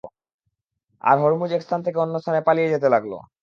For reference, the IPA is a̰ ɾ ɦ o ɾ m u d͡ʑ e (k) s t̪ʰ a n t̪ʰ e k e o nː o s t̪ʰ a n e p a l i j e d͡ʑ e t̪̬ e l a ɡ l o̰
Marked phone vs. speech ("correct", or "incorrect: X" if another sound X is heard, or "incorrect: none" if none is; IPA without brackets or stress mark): correct